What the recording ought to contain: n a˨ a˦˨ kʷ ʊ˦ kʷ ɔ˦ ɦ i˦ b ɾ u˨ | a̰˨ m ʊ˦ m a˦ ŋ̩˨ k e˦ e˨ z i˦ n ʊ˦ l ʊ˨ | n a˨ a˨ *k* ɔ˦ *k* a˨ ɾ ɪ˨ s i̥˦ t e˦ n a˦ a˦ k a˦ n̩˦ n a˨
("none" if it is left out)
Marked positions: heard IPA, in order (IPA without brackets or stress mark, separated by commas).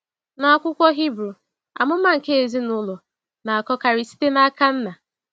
k, k